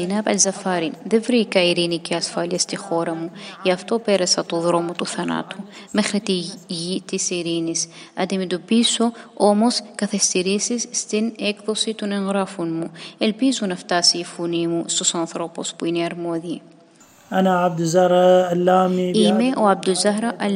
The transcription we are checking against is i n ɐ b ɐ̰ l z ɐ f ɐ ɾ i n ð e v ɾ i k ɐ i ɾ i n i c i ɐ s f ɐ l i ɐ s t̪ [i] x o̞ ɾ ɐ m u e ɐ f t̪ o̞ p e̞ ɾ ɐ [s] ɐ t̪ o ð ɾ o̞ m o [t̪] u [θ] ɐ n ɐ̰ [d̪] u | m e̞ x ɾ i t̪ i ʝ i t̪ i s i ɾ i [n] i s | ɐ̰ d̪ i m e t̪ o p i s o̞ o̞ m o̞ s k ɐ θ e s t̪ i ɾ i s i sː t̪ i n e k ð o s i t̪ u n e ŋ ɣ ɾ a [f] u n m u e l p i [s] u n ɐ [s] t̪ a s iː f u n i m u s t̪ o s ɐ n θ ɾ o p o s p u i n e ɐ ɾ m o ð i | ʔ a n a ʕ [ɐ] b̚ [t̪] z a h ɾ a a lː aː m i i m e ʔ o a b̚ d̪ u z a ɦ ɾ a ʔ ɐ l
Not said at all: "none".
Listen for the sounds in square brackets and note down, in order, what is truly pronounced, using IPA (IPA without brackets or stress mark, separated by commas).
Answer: i, s, t̪, θ, t̪, n, f, z, f, a, d̪